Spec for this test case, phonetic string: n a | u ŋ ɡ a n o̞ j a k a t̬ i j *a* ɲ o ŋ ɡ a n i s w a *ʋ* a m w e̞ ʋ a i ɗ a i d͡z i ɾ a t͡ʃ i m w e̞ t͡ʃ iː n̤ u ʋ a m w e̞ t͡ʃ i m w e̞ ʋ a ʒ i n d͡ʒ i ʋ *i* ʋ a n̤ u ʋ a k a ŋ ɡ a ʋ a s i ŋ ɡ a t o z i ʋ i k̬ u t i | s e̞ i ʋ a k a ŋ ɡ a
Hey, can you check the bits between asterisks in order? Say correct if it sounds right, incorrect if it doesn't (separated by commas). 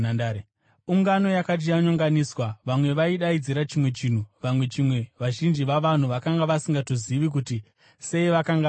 correct, correct, incorrect